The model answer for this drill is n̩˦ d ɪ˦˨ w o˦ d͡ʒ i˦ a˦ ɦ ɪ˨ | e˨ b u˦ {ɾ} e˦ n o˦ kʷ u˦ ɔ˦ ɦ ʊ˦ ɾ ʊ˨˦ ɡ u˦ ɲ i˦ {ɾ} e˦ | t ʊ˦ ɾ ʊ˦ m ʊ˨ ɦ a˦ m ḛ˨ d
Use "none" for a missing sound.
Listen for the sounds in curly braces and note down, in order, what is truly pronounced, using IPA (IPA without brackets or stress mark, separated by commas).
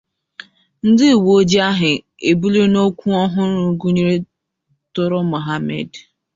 l, ɾ